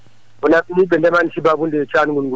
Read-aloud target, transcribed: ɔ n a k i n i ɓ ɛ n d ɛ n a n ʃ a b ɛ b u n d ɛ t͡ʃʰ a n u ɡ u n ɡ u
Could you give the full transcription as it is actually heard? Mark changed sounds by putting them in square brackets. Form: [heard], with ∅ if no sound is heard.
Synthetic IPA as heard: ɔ n a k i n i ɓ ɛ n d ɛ [m] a n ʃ [i] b [a] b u n d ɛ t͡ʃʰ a n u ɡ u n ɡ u